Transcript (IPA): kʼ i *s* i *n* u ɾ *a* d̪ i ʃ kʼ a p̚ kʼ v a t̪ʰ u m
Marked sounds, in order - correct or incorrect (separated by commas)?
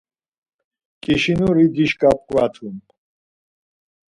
incorrect, correct, incorrect